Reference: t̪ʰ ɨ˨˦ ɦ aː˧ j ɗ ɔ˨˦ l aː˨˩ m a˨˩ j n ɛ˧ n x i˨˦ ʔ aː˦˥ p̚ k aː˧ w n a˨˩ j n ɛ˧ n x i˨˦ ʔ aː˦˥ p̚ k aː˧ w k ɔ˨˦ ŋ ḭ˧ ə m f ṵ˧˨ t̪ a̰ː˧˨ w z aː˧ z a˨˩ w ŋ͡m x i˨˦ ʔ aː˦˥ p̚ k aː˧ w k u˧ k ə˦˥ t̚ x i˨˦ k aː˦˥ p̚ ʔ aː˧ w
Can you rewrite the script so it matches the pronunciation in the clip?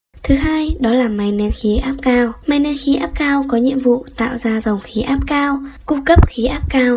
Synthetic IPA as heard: t̪ʰ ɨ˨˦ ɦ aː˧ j ɗ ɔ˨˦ l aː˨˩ m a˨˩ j n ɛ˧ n x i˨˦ ʔ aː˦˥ p̚ k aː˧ w m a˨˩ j n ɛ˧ n x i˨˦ ʔ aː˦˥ p̚ k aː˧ w k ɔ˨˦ ɲ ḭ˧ ə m v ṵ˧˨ t̪ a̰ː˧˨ w z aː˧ z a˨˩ w ŋ͡m x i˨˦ ʔ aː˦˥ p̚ k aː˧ w k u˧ k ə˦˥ p̚ x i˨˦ ʔ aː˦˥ p̚ k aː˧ w